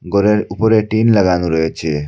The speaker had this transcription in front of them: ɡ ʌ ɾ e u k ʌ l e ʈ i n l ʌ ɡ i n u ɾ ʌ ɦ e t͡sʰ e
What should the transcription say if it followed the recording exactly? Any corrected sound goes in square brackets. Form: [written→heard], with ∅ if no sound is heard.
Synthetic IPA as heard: ɡ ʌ ɾ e u [k→p] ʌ [l→ɾ] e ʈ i n l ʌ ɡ [i→a] n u ɾ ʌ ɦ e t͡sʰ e